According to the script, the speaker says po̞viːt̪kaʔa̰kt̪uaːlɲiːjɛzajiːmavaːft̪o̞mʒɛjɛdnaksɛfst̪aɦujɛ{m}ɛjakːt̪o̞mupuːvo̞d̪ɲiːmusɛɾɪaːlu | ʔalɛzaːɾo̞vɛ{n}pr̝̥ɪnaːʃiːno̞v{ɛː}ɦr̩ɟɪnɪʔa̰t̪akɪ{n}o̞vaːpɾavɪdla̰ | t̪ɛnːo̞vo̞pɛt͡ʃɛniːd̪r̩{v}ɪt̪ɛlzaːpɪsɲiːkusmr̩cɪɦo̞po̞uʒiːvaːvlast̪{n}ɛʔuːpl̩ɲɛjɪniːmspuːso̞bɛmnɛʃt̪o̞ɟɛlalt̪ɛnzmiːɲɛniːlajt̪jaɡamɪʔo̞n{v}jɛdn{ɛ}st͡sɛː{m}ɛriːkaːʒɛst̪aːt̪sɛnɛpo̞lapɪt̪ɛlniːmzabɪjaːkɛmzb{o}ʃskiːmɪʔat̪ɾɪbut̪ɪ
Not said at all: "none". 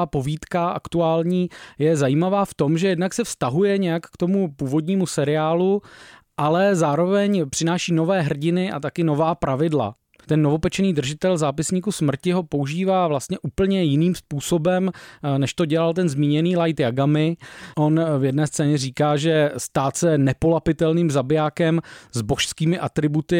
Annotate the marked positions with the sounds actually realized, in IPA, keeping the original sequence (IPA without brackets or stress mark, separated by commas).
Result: ɲ, ɲ, ɛː, n, ʒ, ɲ, v, ɛː, ɲ, o